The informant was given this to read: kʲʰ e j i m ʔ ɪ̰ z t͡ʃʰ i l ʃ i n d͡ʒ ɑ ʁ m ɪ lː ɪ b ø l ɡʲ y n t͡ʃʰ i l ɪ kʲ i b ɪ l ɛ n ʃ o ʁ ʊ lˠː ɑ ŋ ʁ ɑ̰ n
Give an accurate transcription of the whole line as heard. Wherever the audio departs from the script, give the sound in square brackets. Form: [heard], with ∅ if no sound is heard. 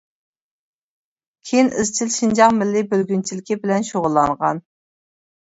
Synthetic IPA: kʲʰ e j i [n] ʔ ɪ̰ z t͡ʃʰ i l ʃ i n d͡ʒ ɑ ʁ m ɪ lː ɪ b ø l ɡʲ y n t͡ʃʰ i l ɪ kʲ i b ɪ l ɛ n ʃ o ʁ ʊ lˠː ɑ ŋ ʁ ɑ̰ n